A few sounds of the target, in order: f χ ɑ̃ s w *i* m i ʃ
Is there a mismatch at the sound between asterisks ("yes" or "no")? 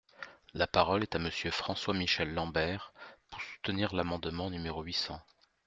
yes